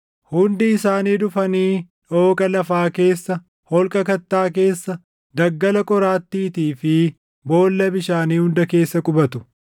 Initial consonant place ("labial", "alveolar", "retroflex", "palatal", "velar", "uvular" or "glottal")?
glottal